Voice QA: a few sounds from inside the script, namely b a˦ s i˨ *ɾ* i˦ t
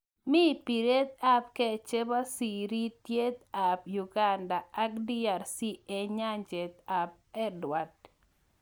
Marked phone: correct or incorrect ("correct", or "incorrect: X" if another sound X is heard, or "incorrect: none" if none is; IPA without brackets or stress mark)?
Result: correct